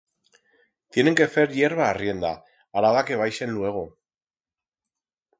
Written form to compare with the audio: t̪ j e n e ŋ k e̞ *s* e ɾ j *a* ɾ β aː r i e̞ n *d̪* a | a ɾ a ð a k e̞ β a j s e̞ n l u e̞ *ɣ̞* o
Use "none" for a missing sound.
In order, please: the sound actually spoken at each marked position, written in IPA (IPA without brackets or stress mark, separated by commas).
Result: f, e, d̪, ɣ̞